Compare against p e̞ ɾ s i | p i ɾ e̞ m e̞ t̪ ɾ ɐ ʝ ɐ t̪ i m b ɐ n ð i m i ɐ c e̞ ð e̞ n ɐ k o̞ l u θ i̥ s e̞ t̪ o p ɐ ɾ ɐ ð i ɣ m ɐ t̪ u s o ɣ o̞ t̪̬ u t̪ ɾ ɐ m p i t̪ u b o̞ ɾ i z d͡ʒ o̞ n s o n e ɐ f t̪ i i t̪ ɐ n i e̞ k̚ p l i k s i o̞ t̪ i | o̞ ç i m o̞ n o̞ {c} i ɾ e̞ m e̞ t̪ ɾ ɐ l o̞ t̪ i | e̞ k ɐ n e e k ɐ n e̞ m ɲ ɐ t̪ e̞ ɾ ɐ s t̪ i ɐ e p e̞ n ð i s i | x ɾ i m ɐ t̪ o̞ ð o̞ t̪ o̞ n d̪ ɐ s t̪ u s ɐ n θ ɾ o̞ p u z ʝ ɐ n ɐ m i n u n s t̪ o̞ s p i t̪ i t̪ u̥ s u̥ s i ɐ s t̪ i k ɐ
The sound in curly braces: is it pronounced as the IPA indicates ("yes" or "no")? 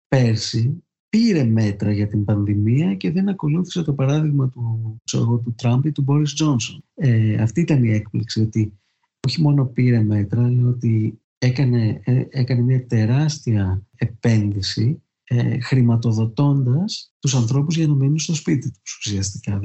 no